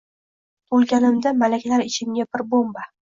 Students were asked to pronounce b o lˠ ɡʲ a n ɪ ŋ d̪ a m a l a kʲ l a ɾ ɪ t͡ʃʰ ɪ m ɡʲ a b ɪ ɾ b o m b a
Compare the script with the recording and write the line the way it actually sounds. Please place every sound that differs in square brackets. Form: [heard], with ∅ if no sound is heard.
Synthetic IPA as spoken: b o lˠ ɡʲ a n ɪ [m] d̪ a m a l a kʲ l a ɾ ɪ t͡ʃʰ ɪ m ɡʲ a b ɪ ɾ b o m b a